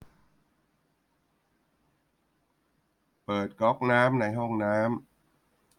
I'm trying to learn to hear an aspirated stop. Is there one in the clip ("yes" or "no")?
no